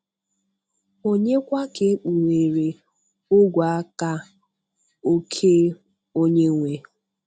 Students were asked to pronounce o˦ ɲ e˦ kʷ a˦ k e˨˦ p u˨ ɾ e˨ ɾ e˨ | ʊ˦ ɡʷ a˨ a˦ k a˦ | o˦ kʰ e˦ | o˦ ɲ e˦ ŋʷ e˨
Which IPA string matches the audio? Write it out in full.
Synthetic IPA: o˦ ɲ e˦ kʷ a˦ k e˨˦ k͡p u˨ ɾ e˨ ɾ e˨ | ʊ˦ ɡʷ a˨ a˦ k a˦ | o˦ kʰ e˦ | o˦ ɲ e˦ ŋʷ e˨